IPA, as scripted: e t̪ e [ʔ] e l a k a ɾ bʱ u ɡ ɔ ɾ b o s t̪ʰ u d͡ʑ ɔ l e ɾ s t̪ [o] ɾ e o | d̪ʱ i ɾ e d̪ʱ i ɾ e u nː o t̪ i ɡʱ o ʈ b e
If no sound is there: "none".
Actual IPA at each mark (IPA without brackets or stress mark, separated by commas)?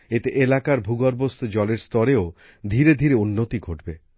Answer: ʔ, ɔ